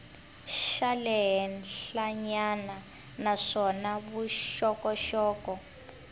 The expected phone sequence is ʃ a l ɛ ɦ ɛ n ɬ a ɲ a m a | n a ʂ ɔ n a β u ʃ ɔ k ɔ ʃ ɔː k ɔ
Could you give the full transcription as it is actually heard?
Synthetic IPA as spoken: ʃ a l ɛ ɦ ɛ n ɬ a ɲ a n a | n a ʂ ɔ n a β u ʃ ɔ k ɔ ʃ ɔː k ɔ